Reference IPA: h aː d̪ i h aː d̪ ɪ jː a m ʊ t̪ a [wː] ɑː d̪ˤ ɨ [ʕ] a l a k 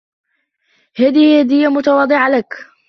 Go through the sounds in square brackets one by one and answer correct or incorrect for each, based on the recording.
incorrect, correct

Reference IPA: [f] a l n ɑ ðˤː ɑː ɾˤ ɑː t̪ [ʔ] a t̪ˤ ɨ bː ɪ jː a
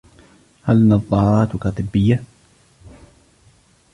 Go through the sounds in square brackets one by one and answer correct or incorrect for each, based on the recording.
incorrect, incorrect

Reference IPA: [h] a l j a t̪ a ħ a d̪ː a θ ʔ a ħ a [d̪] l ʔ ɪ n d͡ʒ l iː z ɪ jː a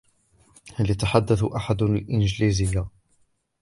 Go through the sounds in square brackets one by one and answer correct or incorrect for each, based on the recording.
correct, correct

